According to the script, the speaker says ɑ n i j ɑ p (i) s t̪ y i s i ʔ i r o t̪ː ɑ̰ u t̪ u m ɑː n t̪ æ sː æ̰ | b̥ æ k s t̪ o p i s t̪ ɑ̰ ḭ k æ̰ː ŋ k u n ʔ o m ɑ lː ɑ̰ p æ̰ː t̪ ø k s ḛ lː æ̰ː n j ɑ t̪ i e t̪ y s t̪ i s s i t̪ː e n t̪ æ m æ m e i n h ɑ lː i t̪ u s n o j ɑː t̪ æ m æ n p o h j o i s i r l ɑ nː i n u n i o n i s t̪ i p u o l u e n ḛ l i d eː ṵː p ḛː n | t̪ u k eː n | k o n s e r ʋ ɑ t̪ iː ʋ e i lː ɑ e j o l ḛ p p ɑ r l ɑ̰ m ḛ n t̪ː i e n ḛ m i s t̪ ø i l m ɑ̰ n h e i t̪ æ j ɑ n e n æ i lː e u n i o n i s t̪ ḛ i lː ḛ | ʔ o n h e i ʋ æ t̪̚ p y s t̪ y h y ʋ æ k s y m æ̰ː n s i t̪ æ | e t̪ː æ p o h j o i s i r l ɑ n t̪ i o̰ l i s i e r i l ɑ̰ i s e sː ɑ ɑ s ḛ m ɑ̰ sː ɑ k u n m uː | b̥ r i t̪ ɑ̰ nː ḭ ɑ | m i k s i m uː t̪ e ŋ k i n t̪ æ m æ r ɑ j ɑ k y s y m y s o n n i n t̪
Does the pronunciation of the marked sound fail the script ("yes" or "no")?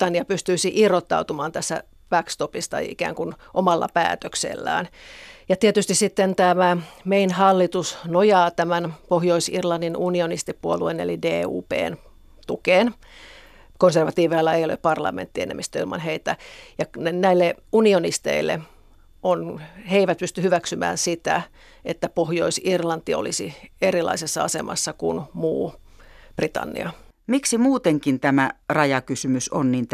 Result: yes